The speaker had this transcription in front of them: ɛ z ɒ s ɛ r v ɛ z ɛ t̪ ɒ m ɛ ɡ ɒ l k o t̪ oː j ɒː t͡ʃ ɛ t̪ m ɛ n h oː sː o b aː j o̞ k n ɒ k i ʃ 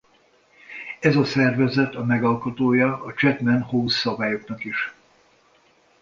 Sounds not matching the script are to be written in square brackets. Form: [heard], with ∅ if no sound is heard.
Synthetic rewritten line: ɛ z ɒ s ɛ r v ɛ z ɛ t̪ ɒ m ɛ ɡ ɒ l k o t̪ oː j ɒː t͡ʃ ɛ t̪ m ɛ n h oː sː [ɒ] b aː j o̞ k n ɒ k i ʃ